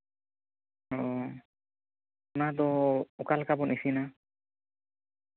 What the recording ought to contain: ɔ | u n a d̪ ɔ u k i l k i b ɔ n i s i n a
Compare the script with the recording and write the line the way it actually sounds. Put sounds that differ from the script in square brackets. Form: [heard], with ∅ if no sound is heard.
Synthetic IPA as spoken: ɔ | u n a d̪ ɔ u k [a] l k [a] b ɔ n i s i n a